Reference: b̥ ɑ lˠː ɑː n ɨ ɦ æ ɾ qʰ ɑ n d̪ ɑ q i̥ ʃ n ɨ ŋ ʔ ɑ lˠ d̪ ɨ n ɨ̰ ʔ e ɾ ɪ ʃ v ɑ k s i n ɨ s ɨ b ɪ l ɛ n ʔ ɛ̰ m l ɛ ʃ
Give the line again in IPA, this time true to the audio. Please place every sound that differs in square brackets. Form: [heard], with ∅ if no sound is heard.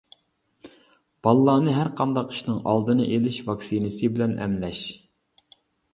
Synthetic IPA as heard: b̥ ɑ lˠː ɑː n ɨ ɦ æ ɾ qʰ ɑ n d̪ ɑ q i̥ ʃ n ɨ ŋ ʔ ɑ lˠ d̪ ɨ n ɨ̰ ʔ e [l] ɪ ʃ v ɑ k s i n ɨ s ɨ b ɪ l ɛ n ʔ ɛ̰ m l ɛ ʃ

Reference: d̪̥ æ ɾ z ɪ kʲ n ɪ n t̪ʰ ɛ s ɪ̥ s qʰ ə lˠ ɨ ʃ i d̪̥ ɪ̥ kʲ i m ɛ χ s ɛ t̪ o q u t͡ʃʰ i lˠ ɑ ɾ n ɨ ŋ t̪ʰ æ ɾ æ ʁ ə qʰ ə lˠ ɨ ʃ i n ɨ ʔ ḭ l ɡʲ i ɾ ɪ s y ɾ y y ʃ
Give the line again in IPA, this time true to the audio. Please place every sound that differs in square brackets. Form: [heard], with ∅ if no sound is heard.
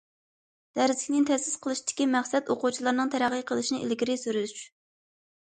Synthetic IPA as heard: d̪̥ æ ɾ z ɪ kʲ n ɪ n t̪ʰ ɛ s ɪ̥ s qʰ ə lˠ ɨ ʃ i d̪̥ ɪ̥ kʲ i m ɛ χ s ɛ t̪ o q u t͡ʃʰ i lˠ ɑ ɾ n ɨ ŋ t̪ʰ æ ɾ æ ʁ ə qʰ ə lˠ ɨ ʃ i n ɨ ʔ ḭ l ɡʲ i ɾ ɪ s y ɾ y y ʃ

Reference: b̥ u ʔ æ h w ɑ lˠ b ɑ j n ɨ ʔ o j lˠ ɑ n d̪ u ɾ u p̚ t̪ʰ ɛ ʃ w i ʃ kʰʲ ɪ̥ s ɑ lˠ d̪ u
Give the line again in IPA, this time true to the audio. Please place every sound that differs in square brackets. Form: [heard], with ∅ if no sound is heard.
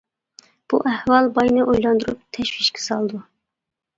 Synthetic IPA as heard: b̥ u ʔ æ h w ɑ lˠ b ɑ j n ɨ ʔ o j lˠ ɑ n d̪ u ɾ u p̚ t̪ʰ ɛ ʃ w i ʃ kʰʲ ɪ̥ s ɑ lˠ d̪ u

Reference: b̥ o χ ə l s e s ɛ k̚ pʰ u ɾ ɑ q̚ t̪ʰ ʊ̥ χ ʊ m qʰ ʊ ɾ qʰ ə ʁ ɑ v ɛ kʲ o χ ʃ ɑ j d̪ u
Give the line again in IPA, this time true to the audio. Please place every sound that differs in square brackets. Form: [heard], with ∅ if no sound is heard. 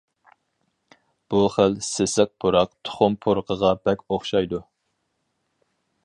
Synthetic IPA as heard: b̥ [u] χ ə l s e s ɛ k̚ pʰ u ɾ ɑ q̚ t̪ʰ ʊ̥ χ ʊ m [pʰ] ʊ ɾ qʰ ə ʁ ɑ [b] ɛ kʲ o χ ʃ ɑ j d̪ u

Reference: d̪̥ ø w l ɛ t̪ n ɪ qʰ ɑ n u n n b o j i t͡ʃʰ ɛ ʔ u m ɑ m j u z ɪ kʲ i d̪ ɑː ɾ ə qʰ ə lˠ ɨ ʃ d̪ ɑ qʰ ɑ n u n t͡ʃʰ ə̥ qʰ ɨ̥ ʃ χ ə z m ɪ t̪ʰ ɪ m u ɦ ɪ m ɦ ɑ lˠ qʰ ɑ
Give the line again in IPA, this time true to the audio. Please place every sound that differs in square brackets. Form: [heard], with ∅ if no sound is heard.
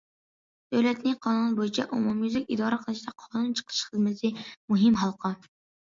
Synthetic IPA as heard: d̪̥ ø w l ɛ t̪ n ɪ qʰ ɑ n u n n b o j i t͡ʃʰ ɛ ʔ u m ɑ m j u z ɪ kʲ i d̪ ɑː ɾ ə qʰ ə lˠ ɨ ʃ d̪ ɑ qʰ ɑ n u n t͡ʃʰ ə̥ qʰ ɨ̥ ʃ χ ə z m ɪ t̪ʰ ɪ m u ɦ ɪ m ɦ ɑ lˠ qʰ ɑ

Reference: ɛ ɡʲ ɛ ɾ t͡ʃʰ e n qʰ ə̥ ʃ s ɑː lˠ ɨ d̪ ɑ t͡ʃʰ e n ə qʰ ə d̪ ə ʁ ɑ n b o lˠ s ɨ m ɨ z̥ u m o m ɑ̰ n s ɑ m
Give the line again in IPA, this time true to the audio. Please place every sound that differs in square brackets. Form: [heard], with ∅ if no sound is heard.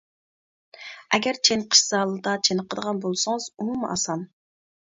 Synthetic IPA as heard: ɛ ɡʲ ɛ ɾ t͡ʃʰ e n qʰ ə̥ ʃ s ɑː lˠ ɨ d̪ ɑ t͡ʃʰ e n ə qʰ ə d̪ ə ʁ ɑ n b o lˠ s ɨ [ŋ] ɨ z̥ u m [u] m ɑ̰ [∅] s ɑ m

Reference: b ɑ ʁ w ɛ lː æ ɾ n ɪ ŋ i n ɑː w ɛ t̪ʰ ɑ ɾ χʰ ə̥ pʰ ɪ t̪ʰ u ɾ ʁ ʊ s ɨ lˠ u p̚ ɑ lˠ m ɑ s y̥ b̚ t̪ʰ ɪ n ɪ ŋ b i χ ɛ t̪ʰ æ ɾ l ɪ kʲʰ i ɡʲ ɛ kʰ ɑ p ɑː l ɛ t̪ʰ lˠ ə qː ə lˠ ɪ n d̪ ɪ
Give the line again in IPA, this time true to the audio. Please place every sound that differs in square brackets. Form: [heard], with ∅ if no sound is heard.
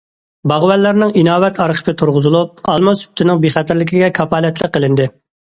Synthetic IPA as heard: b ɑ ʁ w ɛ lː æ ɾ n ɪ ŋ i n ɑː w ɛ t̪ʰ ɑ ɾ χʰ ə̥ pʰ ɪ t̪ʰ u ɾ ʁ ʊ [z] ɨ lˠ u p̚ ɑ lˠ m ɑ s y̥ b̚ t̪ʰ ɪ n ɪ ŋ b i χ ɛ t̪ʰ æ ɾ l ɪ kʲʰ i ɡʲ ɛ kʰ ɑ p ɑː l ɛ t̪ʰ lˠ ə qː ə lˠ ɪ n d̪ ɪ

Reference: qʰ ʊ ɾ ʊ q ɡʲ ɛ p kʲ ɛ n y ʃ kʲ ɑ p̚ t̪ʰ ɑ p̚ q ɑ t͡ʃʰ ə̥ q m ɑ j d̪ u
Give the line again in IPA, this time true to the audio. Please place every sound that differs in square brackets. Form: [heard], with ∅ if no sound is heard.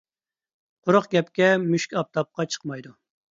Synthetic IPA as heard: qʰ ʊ ɾ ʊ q ɡʲ ɛ p kʲ ɛ [m] y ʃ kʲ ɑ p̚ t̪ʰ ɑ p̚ q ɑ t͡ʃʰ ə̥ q m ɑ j d̪ u

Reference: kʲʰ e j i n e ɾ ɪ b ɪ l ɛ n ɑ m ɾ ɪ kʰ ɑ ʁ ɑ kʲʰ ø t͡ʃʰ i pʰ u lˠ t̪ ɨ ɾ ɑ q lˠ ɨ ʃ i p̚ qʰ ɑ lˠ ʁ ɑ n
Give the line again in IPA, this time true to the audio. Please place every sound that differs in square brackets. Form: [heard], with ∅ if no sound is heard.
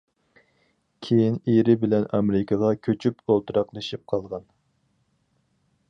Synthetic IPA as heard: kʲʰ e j i n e ɾ ɪ b ɪ l ɛ n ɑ m ɾ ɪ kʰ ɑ ʁ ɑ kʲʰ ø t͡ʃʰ [y] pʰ [o] lˠ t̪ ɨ ɾ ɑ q lˠ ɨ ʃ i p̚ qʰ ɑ lˠ ʁ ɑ n

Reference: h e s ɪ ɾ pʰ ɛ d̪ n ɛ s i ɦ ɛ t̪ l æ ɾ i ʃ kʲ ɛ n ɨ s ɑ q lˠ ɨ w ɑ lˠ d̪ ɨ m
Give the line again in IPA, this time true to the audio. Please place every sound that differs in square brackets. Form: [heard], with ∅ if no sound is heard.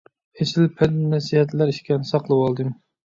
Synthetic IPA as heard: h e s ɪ [l] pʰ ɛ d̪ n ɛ s i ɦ ɛ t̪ l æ ɾ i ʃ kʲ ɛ n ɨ s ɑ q lˠ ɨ w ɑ lˠ d̪ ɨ m

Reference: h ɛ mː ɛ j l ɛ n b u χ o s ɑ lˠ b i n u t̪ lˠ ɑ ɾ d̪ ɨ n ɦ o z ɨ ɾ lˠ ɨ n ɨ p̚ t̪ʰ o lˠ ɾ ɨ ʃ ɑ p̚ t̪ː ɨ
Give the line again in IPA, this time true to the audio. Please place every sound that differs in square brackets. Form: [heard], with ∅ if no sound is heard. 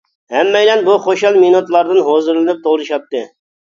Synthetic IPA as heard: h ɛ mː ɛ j l ɛ n b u χ o [ʃ] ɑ lˠ [m] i n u t̪ lˠ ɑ ɾ d̪ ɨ n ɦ o z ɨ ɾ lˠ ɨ n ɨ p̚ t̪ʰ o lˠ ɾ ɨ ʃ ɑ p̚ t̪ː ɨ

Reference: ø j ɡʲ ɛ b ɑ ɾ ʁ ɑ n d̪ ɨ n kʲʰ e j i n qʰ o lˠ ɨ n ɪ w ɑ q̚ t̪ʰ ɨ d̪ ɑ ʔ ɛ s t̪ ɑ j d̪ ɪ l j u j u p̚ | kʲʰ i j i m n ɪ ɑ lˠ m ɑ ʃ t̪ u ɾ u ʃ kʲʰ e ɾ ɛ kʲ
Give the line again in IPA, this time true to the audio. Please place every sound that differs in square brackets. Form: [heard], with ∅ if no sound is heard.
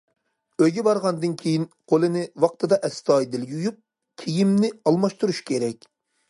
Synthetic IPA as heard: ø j ɡʲ ɛ b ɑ ɾ ʁ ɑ n d̪ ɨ n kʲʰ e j i n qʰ o lˠ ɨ n ɪ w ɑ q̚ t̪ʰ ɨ d̪ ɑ ʔ ɛ s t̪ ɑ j d̪ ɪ l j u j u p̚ | kʲʰ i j i m n ɪ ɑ lˠ m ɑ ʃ t̪ u ɾ u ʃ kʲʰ e ɾ ɛ kʲ

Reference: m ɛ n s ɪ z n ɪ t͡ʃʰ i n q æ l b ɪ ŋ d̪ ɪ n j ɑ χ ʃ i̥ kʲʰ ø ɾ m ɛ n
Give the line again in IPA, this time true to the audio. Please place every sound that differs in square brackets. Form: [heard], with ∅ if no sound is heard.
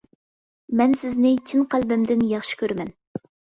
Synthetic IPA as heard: m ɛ n s ɪ z n ɪ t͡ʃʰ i n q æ l b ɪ [m] d̪ ɪ n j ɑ χ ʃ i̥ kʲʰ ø ɾ m ɛ n

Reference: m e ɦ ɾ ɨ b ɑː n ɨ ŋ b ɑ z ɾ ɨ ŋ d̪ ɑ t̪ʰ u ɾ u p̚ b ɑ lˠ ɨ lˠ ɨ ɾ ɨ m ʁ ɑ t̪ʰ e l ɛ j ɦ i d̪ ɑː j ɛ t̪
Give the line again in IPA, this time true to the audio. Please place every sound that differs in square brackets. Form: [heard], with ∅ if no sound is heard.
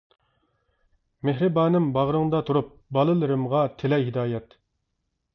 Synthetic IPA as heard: m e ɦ ɾ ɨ b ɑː n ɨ [m] b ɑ [ʁ] ɾ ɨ ŋ d̪ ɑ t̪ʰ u ɾ u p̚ b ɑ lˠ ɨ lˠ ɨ ɾ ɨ m ʁ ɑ t̪ʰ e l ɛ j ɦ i d̪ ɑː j ɛ t̪

